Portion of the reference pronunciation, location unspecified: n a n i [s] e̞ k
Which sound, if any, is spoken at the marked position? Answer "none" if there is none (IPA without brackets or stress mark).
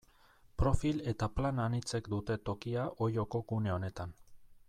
t͡s